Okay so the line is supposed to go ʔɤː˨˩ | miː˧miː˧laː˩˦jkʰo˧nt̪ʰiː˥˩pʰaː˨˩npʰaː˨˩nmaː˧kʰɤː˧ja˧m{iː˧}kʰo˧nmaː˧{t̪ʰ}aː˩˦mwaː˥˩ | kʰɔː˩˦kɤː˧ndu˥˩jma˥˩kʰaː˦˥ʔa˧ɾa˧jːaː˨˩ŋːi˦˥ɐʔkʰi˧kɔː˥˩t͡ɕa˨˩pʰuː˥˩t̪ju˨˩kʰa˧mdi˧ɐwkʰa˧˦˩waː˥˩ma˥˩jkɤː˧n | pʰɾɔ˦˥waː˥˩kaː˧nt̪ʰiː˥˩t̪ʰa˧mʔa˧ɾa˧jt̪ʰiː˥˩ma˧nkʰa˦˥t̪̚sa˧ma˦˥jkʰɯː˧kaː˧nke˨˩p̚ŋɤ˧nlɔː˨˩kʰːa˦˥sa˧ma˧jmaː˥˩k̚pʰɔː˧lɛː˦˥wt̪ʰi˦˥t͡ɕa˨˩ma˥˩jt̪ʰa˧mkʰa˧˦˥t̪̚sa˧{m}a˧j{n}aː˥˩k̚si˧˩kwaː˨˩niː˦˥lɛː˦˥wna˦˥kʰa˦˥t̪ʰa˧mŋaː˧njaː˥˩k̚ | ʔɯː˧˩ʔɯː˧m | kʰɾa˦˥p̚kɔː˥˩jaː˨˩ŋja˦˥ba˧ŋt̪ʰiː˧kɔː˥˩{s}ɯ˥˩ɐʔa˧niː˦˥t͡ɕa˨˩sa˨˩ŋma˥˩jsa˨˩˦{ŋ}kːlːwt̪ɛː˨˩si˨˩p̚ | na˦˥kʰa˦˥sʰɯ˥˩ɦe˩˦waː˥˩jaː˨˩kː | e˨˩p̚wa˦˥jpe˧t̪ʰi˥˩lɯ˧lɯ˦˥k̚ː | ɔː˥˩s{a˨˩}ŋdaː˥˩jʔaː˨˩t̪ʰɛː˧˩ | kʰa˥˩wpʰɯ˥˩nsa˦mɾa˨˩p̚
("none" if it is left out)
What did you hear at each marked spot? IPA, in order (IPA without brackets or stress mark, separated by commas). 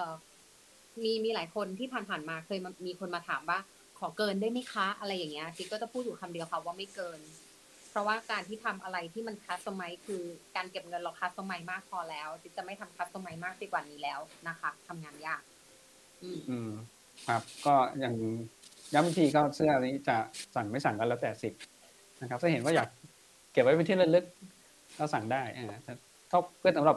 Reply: iː˧, t̪ʰ, m, m, s, ŋ, a˨˩